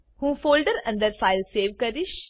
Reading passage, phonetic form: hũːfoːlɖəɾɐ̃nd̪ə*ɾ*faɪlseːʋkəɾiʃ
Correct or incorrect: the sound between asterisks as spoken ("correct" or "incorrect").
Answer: correct